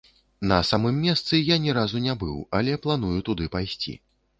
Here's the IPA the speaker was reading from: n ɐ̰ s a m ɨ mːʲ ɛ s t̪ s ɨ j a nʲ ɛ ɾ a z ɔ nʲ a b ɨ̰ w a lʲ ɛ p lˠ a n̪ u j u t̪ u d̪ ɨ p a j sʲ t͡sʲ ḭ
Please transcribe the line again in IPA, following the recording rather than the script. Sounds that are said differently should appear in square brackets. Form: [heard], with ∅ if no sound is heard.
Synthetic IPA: n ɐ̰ s a m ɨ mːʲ ɛ s t̪ s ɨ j a nʲ ɛ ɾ a z [u] nʲ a b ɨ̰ w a lʲ ɛ p lˠ a n̪ u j u t̪ u d̪ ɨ p a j sʲ t͡sʲ ḭ